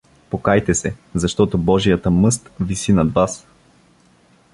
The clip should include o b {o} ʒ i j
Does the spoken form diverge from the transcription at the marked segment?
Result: yes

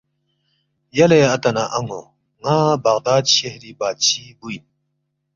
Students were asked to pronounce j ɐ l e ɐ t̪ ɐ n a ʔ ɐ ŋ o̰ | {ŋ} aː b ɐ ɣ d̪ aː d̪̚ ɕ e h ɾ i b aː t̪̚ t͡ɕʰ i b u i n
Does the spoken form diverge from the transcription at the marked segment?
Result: no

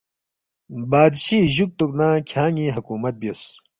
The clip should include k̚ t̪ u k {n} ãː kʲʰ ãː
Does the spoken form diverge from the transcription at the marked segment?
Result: no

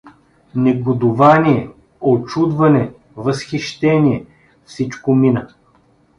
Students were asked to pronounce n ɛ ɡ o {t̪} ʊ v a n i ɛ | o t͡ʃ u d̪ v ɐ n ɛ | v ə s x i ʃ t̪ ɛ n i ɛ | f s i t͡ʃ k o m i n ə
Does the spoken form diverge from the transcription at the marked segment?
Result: yes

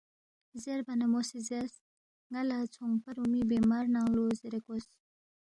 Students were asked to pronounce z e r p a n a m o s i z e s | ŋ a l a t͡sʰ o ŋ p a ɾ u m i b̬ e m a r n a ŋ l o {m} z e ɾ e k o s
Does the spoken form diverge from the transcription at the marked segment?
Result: yes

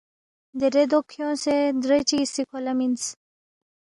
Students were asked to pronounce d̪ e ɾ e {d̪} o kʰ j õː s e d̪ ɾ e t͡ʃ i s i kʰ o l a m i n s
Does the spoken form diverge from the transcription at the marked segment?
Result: no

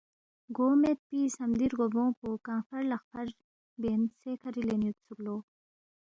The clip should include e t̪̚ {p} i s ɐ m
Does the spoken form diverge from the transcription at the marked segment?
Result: no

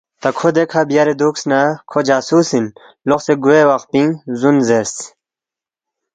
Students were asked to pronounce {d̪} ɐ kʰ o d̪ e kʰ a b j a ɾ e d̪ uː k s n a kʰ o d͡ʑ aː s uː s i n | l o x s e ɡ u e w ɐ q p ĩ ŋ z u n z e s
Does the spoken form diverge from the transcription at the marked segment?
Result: yes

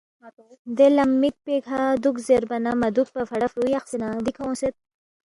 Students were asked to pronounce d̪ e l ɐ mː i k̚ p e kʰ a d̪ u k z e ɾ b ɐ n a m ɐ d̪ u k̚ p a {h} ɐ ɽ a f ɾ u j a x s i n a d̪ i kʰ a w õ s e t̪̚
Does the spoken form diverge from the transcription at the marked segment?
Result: yes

